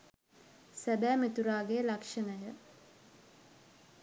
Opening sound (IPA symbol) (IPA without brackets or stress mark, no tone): s